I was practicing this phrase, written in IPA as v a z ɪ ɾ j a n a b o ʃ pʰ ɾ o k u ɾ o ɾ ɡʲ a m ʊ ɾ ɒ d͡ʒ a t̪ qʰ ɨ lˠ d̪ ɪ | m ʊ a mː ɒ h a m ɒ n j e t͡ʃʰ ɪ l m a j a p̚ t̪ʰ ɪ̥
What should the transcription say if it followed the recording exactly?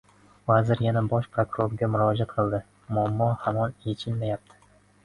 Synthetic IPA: v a z ɪ ɾ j a n a b ɒ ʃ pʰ ɾ o k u ɾ o ɾ ɡʲ a m ʊ ɾ ɒ d͡ʒ a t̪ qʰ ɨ lˠ d̪ ɪ | m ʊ a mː ɒ h a m ɒ n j e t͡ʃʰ ɪ l m a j a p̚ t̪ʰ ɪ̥